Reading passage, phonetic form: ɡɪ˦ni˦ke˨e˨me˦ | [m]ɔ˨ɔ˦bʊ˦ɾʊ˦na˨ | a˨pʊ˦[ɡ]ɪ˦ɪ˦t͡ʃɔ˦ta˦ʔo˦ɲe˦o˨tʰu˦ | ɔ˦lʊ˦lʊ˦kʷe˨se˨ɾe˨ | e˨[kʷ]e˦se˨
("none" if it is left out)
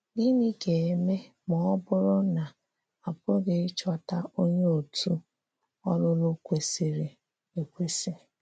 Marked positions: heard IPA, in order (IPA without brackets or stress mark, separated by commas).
m, ɡ, kʷ